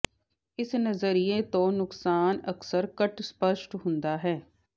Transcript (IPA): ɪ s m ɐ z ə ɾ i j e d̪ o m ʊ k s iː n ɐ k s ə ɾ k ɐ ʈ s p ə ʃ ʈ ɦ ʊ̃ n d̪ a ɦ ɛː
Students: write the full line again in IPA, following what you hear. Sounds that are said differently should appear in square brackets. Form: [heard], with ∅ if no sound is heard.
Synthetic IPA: ɪ s [n] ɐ z ə ɾ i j e [t̪] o [n] ʊ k s [aː] n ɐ k s ə ɾ k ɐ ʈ s p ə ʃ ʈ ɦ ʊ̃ n d̪ a ɦ ɛː